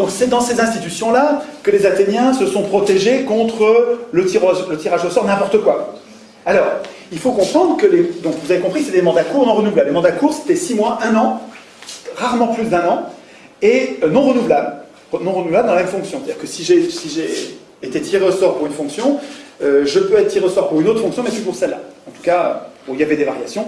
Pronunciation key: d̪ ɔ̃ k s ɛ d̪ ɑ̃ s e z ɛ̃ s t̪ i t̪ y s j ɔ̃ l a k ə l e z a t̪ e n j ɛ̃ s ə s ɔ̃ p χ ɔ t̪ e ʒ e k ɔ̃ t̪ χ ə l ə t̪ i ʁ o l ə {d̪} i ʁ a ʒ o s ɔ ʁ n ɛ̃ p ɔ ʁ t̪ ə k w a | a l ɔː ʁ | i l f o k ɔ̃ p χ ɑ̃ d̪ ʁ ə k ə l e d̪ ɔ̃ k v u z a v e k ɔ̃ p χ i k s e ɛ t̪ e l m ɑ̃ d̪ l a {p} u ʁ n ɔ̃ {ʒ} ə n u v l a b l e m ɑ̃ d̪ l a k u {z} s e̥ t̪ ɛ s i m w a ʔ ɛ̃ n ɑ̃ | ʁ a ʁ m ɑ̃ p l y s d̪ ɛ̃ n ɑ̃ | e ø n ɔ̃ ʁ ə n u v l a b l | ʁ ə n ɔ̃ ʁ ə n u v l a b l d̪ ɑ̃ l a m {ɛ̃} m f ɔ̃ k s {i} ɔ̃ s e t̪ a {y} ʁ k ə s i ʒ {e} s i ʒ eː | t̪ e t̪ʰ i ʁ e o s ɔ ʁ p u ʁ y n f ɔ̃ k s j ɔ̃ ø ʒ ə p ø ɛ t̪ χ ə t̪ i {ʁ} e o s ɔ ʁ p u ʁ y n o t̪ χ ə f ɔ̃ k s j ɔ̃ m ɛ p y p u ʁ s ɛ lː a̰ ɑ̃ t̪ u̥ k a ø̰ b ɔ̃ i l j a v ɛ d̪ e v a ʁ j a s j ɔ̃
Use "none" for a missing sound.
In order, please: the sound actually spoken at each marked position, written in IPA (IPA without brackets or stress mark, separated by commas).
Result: t̪, k, ʁ, ʁ, ɛ, j, i, e, ʁ